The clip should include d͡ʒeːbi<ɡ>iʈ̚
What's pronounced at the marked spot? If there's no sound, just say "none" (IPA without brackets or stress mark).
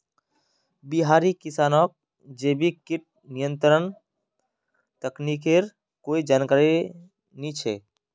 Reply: k